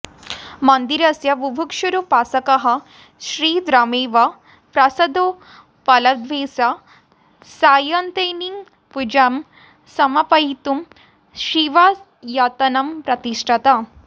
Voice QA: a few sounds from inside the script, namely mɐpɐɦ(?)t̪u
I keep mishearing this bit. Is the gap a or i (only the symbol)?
i